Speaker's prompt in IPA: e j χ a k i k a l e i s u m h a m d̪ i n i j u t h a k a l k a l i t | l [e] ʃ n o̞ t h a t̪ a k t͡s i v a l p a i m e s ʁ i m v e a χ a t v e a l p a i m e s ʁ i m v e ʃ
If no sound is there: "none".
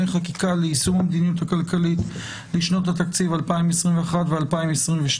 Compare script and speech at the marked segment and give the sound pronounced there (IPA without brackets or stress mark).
i